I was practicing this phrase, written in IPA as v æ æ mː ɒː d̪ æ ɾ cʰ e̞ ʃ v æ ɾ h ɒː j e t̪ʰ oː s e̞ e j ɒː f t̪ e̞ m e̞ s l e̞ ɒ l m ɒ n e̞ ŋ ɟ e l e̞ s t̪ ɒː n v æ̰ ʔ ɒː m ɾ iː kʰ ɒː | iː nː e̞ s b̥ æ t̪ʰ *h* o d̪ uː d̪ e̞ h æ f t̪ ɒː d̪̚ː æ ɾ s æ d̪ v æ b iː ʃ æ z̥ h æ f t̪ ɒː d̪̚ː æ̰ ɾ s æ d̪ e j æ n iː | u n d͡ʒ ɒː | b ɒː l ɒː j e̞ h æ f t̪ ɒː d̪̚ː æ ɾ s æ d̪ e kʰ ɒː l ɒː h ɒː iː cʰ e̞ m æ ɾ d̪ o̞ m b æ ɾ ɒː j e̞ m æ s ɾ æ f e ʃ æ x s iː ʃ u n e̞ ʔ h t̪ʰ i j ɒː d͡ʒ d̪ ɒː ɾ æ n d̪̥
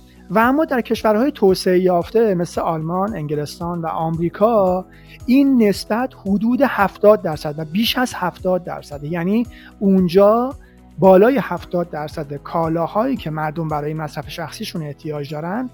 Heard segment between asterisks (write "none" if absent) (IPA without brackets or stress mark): h